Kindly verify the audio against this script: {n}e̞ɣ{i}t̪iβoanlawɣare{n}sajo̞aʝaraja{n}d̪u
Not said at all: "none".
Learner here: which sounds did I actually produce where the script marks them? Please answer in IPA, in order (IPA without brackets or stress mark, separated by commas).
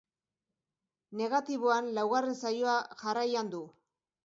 n, a, n, n